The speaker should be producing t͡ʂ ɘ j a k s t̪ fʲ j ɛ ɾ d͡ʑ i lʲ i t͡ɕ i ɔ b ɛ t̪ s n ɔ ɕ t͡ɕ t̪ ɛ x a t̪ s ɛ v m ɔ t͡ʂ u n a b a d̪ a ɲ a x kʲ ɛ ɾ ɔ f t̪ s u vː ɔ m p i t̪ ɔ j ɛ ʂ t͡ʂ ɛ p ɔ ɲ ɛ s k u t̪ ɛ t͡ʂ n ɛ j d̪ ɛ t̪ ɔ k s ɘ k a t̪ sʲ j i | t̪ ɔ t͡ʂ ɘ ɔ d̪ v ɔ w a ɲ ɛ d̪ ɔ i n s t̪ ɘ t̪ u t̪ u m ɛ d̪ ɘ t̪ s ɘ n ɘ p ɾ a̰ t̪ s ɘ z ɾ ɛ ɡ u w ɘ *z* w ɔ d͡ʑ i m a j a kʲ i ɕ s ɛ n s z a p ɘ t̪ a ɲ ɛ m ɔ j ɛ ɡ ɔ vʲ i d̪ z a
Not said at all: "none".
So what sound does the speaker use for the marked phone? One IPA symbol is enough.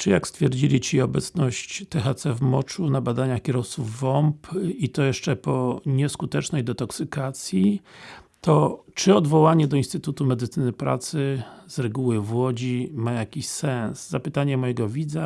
v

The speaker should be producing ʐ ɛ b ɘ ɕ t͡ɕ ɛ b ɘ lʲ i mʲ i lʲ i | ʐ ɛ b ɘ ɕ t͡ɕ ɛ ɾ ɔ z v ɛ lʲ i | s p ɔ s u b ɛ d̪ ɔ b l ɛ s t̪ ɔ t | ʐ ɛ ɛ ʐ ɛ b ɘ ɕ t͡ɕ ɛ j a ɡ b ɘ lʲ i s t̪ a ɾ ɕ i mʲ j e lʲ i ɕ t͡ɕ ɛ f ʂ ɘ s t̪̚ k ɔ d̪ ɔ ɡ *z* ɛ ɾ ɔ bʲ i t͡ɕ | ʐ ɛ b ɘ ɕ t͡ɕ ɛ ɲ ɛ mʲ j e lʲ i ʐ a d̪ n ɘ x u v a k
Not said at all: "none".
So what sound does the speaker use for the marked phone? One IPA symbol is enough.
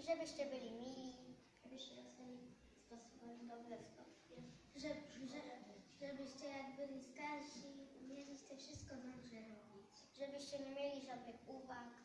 ʐ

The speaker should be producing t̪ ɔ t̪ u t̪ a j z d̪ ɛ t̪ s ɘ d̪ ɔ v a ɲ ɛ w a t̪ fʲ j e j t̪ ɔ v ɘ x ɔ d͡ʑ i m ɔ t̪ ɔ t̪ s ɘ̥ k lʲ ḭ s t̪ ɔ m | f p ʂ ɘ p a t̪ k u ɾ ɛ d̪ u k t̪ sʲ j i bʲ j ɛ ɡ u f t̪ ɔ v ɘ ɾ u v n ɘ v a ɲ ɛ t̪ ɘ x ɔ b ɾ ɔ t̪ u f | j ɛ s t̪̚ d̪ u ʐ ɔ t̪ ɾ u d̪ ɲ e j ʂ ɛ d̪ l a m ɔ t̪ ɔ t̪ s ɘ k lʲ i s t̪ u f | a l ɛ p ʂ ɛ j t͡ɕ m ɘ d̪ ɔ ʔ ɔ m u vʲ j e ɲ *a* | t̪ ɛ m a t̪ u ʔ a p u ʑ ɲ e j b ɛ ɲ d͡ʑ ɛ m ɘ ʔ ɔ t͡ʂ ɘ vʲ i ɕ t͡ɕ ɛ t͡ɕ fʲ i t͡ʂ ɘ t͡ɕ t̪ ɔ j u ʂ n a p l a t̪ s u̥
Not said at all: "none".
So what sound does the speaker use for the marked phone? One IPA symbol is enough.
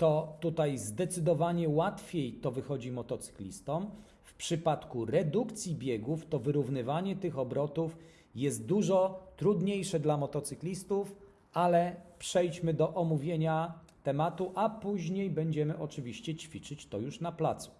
a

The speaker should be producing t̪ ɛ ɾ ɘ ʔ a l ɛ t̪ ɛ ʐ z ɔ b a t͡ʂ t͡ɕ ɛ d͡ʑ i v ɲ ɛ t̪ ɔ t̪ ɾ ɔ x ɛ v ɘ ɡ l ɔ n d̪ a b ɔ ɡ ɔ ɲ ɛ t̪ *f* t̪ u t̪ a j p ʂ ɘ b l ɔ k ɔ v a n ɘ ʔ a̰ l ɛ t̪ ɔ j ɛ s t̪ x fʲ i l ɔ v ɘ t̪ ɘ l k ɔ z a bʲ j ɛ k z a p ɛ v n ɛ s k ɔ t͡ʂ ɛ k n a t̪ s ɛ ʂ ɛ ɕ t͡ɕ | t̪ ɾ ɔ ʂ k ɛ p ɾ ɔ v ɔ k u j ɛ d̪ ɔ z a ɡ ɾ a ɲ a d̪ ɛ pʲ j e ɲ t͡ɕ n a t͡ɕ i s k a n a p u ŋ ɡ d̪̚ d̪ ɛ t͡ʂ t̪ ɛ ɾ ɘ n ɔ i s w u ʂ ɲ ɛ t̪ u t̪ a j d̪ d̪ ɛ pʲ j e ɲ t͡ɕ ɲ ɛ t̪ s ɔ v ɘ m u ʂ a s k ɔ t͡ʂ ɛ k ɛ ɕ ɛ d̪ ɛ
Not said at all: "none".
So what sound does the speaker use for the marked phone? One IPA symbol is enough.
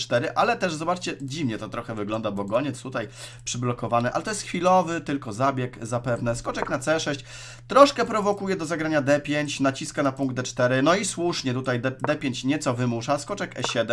s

